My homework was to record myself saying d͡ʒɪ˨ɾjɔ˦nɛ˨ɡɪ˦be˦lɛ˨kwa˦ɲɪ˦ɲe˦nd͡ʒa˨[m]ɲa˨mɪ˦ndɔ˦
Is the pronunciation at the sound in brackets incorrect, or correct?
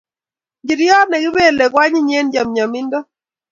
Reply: correct